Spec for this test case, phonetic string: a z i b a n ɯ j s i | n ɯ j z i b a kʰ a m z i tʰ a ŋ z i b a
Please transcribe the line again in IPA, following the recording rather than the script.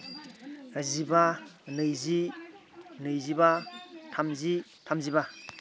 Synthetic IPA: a z i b a n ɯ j z i | n ɯ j z i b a tʰ a m z i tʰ a m z i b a